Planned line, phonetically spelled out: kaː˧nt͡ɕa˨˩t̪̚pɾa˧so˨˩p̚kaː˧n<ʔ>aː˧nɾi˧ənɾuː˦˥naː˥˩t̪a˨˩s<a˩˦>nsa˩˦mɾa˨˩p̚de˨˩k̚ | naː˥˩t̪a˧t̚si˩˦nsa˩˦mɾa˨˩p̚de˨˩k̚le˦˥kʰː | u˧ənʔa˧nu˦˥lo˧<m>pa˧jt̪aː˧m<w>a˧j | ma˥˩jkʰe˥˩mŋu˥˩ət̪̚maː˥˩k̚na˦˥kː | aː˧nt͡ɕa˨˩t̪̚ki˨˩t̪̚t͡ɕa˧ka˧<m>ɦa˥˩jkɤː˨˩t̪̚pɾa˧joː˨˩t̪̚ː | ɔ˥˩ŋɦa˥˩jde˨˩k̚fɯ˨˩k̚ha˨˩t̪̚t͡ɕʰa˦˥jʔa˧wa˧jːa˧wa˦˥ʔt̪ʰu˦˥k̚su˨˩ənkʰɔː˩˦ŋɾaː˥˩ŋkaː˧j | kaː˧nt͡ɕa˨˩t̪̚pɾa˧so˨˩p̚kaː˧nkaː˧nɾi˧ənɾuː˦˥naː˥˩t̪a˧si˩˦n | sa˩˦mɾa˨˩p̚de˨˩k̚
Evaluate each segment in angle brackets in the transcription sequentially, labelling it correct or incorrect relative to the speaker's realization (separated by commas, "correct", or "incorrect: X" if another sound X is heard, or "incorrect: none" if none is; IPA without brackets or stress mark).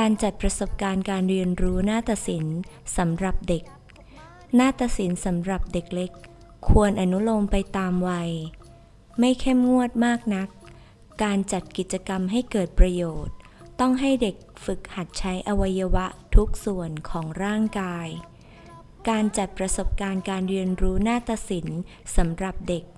incorrect: k, incorrect: i˩˦, correct, correct, correct